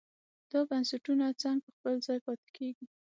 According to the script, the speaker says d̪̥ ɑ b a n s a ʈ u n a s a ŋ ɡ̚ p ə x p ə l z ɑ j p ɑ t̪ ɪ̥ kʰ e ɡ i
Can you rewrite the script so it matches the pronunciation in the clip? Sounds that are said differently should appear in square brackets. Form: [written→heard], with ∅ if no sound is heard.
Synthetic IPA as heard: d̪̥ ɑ b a n s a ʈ u n a [s→t͡s] a ŋ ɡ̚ p ə x p ə l z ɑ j p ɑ t̪ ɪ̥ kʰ e ɡ i